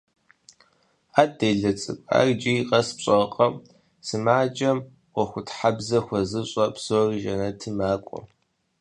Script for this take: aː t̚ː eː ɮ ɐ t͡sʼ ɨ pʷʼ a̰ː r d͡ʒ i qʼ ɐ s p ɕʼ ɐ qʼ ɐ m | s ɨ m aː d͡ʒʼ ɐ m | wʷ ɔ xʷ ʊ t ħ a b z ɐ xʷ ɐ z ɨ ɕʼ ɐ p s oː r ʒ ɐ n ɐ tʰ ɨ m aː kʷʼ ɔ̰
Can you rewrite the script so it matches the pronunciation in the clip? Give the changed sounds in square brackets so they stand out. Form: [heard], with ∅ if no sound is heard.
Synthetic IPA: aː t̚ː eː ɮ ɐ t͡sʼ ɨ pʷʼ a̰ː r d͡ʒ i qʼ ɐ s p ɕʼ ɐ qʼ ɐ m | s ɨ m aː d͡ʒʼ ɐ m | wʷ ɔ xʷ ʊ t ħ a b z ɐ xʷ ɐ z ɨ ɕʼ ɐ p s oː r ʒ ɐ n ɐ tʰ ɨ m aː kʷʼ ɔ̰